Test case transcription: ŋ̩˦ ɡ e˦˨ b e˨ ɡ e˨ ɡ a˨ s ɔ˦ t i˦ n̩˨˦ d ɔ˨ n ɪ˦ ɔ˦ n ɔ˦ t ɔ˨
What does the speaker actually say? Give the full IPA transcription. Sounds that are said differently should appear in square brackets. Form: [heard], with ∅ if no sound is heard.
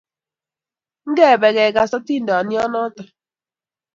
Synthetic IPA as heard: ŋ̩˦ ɡ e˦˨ b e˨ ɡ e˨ ɡ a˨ s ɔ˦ t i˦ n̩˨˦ d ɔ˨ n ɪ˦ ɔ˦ n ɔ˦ t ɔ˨